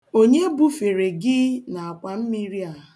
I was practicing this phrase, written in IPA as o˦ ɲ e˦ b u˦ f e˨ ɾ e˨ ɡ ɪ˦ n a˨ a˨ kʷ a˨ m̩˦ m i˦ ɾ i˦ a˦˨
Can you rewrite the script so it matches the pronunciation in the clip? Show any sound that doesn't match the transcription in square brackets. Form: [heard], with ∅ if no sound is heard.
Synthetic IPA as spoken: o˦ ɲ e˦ b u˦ f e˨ ɾ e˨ ɡ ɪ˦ n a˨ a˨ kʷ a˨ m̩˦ m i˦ ɾ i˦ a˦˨